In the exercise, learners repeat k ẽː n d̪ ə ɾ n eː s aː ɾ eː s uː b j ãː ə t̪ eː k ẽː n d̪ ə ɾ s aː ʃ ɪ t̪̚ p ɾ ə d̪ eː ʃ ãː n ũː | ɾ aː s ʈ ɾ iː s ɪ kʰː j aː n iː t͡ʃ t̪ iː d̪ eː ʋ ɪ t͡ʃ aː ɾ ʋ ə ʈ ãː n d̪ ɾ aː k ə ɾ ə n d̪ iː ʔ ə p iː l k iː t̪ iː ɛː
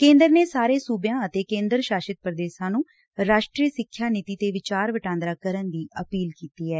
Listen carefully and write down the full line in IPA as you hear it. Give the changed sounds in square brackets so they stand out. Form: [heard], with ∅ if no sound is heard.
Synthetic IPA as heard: k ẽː n d̪ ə ɾ n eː s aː ɾ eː s uː b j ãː ə t̪ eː k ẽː n d̪ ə ɾ [ʃ] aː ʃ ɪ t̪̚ p ɾ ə d̪ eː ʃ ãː n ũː | ɾ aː [ʃ] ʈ ɾ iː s ɪ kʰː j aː n iː [∅] t̪ iː [t̪] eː ʋ ɪ t͡ʃ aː ɾ ʋ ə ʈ ãː n d̪ ɾ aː k ə ɾ ə n d̪ iː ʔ ə p iː l k iː t̪ iː ɛː